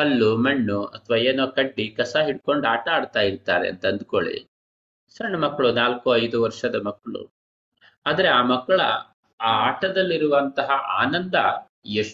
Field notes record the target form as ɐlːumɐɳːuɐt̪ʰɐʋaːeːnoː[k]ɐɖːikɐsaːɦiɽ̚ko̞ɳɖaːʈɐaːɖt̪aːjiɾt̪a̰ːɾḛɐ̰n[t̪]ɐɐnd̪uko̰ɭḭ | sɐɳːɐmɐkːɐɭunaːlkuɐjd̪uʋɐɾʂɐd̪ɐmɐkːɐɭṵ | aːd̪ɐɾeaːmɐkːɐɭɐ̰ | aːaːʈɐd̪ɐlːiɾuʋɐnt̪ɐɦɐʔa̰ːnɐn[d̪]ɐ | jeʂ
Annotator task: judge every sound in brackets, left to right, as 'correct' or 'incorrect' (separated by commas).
correct, correct, correct